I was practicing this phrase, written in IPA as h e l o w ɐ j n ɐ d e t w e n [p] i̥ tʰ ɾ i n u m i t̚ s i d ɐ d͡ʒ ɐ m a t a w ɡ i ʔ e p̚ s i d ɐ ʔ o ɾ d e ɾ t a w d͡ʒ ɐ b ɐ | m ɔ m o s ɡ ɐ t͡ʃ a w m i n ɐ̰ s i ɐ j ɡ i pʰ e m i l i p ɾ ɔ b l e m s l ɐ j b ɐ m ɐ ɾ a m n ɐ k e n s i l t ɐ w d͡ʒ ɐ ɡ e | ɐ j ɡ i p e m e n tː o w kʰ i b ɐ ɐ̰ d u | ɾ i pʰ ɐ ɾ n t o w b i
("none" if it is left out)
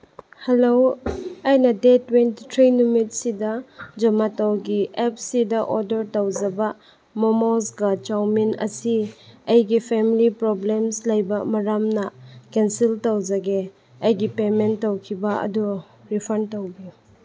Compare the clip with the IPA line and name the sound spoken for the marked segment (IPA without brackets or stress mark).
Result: t